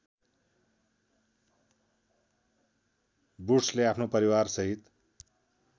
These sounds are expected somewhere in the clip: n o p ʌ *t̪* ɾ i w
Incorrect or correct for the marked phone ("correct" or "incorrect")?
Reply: incorrect